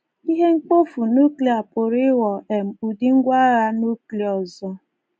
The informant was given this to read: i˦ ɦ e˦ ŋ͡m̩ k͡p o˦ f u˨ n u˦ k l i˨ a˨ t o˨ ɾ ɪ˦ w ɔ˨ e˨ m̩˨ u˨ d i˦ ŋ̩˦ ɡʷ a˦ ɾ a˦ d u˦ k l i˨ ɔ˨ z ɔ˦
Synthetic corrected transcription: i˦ ɦ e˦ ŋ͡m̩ k͡p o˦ f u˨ n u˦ k l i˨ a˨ p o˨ ɾ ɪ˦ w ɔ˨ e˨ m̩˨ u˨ d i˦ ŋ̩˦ ɡʷ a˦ ɾ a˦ n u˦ k l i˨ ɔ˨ z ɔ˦